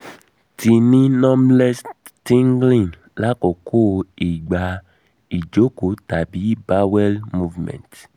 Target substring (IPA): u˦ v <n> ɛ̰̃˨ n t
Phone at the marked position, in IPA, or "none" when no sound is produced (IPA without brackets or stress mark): m